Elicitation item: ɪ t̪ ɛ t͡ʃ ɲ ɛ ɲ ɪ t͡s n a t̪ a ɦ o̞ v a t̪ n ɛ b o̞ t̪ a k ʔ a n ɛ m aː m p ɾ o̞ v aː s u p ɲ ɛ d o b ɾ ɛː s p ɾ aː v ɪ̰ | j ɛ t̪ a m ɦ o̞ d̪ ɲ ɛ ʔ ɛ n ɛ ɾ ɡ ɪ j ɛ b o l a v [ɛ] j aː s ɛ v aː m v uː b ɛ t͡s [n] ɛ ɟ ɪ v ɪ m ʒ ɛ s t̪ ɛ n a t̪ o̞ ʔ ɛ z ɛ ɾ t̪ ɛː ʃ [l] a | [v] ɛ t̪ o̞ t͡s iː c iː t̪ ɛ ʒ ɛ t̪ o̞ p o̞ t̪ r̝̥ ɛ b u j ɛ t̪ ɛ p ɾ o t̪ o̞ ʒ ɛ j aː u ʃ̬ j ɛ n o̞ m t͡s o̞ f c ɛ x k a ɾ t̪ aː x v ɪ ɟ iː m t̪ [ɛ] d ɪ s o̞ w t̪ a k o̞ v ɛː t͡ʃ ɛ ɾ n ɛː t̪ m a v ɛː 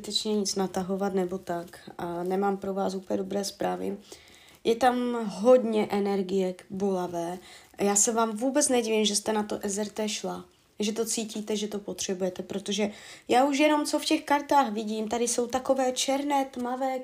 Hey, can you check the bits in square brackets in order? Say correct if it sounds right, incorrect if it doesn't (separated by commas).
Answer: incorrect, correct, correct, incorrect, incorrect